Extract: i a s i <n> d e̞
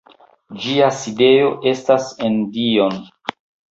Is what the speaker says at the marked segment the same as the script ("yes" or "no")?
no